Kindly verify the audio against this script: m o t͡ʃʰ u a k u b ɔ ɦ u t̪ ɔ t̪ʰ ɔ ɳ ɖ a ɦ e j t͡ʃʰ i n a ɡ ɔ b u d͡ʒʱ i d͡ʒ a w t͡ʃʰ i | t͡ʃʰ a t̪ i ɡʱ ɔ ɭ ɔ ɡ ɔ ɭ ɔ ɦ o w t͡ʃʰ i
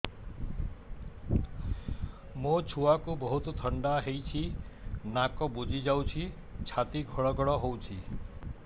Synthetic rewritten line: m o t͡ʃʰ u a k u b ɔ ɦ u t̪ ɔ t̪ʰ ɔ ɳ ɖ a ɦ e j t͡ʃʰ i n a k ɔ b u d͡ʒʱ i d͡ʒ a w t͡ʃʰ i | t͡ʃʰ a t̪ i ɡʱ ɔ ɭ ɔ ɡ ɔ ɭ ɔ ɦ o w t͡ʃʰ i